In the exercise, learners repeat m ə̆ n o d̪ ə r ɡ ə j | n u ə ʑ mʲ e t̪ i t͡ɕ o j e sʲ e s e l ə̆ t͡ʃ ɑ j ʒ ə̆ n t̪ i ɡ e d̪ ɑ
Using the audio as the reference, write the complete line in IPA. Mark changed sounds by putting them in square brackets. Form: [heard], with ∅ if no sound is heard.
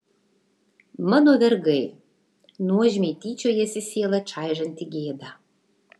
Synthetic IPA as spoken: m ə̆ n o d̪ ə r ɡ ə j | n u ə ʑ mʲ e t̪ i t͡ɕ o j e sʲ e s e l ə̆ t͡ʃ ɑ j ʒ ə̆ n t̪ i ɡ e d̪ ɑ